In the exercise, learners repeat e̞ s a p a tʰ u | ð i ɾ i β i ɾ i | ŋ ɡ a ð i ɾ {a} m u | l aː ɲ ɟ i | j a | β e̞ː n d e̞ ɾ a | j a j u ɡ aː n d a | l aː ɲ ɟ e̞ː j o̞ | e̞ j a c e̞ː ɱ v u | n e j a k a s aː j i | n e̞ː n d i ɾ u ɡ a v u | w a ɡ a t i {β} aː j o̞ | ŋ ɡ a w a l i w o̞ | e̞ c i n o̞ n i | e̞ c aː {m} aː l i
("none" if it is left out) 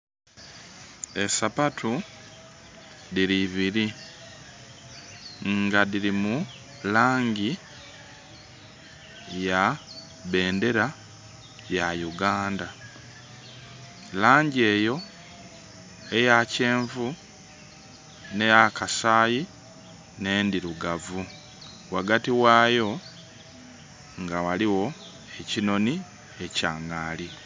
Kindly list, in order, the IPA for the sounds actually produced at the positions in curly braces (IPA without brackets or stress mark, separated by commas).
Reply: i, w, ŋ